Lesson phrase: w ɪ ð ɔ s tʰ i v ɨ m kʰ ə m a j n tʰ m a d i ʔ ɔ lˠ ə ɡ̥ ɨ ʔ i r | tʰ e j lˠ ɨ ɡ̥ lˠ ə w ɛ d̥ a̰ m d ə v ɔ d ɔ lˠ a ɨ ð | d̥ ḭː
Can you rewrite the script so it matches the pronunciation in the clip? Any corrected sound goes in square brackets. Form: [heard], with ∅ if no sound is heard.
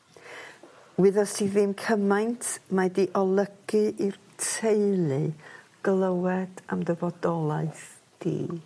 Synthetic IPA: w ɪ ð ɔ s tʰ i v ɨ m kʰ ə m a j n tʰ m a d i ʔ ɔ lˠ ə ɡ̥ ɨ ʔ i r | tʰ e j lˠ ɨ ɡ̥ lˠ ə w ɛ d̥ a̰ m d ə v ɔ d ɔ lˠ a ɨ [θ] | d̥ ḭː